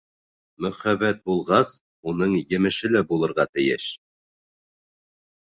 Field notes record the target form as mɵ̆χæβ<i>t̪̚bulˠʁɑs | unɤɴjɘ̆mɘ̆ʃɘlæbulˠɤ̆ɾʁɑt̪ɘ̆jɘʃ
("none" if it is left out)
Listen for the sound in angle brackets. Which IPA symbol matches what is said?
æ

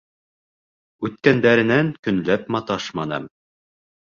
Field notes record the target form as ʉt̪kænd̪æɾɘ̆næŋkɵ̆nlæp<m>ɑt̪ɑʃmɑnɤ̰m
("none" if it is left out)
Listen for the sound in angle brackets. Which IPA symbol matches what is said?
m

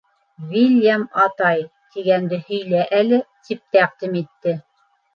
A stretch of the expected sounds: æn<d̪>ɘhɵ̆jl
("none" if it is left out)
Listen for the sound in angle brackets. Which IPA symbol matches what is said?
d̪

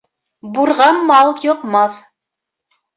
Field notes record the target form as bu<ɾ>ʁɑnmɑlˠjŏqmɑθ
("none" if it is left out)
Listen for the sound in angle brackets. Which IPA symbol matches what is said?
ɾ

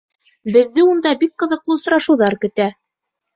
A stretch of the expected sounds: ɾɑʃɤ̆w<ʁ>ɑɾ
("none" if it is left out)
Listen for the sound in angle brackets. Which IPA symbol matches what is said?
ð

